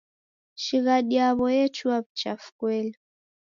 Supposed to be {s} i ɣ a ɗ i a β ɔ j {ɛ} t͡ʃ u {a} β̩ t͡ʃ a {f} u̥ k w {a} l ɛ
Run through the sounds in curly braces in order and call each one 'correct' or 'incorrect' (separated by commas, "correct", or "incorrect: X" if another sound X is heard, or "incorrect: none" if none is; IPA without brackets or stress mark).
incorrect: ʃ, correct, correct, correct, incorrect: ɛ